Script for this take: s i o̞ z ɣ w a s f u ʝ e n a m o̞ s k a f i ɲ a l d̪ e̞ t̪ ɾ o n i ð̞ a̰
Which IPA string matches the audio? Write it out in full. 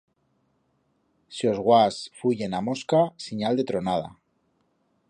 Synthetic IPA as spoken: s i o̞ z ɣ w a s f u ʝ e n a m o̞ s k a s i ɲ a l d̪ e̞ t̪ ɾ o n a ð̞ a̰